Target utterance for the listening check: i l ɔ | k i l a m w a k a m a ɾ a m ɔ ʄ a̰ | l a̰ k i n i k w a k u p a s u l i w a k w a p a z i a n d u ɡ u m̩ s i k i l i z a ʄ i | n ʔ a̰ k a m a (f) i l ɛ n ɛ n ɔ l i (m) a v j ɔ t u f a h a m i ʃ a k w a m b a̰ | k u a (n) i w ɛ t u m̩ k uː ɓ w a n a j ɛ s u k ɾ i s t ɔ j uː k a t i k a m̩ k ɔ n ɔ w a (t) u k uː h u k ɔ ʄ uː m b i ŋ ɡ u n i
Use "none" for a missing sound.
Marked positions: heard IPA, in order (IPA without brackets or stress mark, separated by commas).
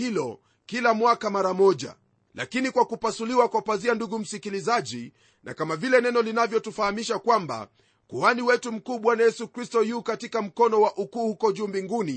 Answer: v, n, n, ʔ